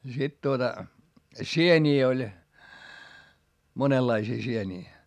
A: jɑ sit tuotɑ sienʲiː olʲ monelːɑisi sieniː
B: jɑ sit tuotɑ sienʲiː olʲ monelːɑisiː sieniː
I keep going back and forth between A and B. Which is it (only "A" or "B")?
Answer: B